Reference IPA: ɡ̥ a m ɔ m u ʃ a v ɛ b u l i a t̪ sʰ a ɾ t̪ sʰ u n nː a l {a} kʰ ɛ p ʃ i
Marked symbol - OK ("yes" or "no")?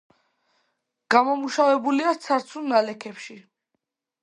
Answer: no